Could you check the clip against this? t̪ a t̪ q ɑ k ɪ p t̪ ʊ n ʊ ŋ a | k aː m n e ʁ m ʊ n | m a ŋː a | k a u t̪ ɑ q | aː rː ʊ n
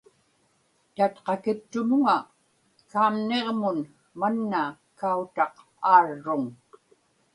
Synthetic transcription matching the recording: t̪ a t̪ q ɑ k ɪ p t̪ ʊ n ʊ ŋ a | k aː m n e ʁ m ʊ n | m a nː a | k a u t̪ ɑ q | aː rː ʊ ŋ

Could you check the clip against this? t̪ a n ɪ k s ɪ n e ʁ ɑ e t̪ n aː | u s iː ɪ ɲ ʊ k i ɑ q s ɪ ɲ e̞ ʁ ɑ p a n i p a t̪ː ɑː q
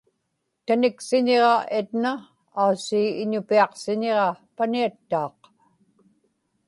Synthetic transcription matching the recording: t̪ a n ɪ k s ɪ ɲ e ʁ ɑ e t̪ n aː | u s iː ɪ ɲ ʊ p i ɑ q s ɪ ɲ e̞ ʁ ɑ p a n i a t̪ː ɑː q

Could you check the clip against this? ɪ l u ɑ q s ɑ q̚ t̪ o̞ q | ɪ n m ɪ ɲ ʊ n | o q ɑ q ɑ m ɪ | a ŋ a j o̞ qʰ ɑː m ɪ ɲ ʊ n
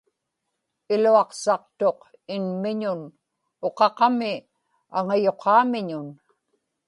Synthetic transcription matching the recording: ɪ l u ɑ q s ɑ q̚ t̪ o̞ q | ɪ n m ɪ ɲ ʊ n | o q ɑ q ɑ m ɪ | a ŋ a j o̞ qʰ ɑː m ɪ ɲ ʊ n

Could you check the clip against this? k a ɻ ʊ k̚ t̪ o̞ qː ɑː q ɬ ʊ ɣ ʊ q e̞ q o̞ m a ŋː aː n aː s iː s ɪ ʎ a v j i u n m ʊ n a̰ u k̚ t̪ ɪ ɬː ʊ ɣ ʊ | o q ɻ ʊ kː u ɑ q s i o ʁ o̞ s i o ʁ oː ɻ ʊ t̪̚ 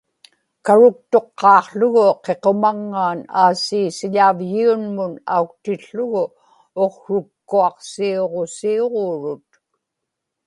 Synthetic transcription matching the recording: k a ɻ ʊ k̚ t̪ o̞ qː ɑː q ɬ ʊ ɣ ʊ q e̞ q o̞ m a ŋː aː n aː s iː s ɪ ʎ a v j i u n m ʊ n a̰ u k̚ t̪ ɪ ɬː ʊ ɣ ʊ | o q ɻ ʊ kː u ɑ q s i o ʁ o̞ s i o ʁ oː ɻ ʊ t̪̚

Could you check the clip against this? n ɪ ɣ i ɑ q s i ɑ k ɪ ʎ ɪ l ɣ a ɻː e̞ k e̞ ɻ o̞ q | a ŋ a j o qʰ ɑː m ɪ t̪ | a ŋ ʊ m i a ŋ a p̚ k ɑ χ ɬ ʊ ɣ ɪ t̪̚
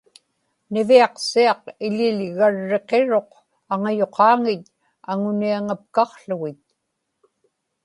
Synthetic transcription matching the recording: n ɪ v i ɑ q s i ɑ q ɪ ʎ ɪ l ɣ a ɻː e̞ q e̞ ɻ o̞ q | a ŋ a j o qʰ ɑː ŋ ɪ t̪ | a ŋ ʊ n i a ŋ a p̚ k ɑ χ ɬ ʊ ɣ ɪ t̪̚

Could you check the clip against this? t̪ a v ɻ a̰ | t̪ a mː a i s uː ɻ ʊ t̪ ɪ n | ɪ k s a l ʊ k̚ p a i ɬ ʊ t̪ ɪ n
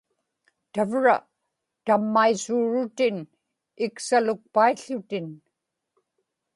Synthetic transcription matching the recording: t̪ a v ɻ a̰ | t̪ a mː a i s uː ɻ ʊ t̪ ɪ n | ɪ k s a l ʊ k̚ p a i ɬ ʊ t̪ ɪ n

